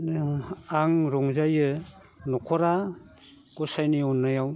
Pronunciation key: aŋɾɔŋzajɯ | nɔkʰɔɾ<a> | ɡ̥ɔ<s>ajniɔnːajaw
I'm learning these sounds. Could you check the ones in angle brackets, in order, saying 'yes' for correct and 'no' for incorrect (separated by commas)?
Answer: yes, yes